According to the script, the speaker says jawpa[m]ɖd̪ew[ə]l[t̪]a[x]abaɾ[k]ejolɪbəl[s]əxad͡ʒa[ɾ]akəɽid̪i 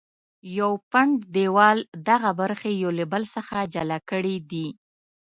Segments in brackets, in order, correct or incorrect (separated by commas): incorrect, incorrect, incorrect, incorrect, incorrect, correct, incorrect